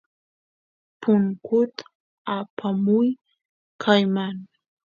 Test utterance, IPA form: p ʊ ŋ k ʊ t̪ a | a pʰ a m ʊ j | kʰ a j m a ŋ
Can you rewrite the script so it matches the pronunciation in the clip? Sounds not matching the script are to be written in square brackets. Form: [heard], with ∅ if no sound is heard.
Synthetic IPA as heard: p ʊ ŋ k ʊ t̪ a | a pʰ a m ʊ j | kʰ a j m a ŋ